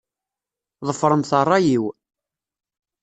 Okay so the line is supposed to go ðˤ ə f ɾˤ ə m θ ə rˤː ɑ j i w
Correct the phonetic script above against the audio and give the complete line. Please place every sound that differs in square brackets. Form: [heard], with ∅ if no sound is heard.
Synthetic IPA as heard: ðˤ ə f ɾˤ ə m θ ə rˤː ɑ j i w